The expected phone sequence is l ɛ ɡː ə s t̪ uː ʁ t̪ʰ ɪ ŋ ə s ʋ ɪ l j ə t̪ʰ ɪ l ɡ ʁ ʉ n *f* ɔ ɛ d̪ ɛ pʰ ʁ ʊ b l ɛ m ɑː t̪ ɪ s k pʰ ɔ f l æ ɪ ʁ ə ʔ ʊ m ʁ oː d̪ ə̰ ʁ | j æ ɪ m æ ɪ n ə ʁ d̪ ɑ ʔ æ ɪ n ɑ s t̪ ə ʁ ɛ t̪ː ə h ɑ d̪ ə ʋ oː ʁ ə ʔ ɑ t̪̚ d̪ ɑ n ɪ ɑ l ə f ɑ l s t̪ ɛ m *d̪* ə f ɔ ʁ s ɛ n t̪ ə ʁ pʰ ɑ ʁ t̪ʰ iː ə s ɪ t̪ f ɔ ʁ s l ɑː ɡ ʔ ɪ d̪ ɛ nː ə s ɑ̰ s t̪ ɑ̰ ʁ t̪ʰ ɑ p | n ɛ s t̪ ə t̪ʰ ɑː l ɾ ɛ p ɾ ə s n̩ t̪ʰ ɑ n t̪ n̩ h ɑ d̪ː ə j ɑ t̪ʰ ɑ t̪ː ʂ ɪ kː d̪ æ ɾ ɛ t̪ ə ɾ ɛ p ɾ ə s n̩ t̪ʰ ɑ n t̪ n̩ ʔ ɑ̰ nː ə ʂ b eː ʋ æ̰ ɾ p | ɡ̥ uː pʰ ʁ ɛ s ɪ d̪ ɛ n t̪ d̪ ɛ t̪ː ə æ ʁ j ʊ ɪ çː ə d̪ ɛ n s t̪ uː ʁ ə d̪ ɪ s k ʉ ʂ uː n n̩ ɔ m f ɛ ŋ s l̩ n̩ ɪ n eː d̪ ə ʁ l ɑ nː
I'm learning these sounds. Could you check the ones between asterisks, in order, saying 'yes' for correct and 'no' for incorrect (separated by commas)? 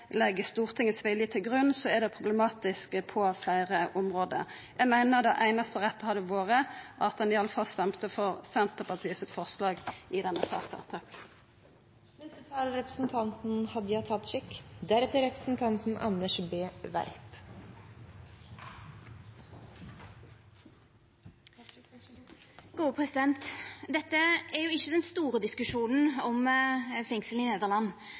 no, no